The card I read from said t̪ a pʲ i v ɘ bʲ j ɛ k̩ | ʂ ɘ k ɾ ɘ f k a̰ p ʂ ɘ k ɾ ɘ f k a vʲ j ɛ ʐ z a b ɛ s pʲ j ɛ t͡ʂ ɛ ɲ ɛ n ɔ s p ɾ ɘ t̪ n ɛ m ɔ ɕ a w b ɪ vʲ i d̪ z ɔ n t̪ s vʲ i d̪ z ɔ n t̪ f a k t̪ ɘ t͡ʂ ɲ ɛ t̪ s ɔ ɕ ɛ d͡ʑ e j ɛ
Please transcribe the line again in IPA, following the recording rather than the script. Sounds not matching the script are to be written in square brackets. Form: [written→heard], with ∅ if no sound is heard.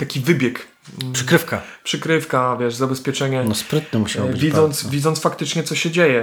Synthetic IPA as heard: t̪ a [pʲ→kʲ] i v ɘ bʲ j ɛ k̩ | ʂ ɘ k ɾ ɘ f k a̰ p ʂ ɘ k ɾ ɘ f k a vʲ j ɛ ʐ z a b ɛ s pʲ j ɛ t͡ʂ ɛ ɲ ɛ n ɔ s p ɾ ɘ t̪ n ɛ m [ɔ→u] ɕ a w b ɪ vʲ i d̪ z ɔ n t̪ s vʲ i d̪ z ɔ n t̪ f a k t̪ ɘ t͡ʂ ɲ ɛ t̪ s ɔ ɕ ɛ d͡ʑ e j ɛ